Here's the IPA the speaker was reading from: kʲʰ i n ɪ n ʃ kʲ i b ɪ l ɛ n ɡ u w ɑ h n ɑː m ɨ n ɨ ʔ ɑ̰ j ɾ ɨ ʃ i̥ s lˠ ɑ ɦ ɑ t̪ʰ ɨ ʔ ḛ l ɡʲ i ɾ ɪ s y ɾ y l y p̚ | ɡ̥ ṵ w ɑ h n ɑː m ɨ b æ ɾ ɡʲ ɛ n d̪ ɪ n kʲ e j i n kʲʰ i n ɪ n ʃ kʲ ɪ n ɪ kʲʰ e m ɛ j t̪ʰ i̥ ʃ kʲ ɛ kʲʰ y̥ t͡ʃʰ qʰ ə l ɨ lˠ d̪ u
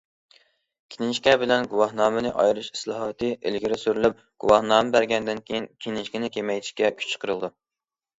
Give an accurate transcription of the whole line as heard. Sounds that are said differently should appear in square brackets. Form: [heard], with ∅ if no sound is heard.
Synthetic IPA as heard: kʲʰ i n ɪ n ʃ kʲ [ɛ] b ɪ l ɛ n ɡ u w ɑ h n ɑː m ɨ n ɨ ʔ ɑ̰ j ɾ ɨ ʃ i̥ s lˠ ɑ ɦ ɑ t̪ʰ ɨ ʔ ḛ l ɡʲ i ɾ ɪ s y ɾ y l y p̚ | ɡ̥ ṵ w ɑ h n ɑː m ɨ b æ ɾ ɡʲ ɛ n d̪ ɪ n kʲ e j i n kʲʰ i n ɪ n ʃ kʲ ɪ n ɪ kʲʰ e m ɛ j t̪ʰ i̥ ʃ kʲ ɛ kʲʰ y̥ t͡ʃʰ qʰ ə [ɾ] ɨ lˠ d̪ u